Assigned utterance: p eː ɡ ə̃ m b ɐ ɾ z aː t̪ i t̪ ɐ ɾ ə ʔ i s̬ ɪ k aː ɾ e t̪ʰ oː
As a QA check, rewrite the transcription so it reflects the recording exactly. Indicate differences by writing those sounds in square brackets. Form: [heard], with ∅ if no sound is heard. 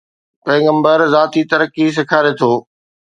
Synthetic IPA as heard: p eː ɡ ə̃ m b [ə] ɾ z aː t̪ i t̪ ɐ ɾ ə [k] i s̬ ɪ [kʰ] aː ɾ e t̪ʰ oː